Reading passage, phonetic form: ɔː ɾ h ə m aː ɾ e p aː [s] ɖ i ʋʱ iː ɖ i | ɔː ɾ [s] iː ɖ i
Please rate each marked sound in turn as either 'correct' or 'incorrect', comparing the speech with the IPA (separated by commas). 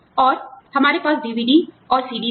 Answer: correct, correct